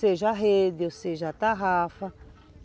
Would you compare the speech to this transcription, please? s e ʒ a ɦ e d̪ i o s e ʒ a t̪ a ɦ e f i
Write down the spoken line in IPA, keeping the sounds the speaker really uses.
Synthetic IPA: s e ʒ a ɦ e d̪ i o s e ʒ a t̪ a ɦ a f a